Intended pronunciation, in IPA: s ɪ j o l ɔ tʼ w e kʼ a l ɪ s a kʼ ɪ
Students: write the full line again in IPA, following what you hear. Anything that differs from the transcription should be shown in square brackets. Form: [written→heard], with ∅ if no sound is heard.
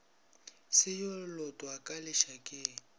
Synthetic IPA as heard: s ɪ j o l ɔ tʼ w [e→a] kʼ a l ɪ [s→ʃ] a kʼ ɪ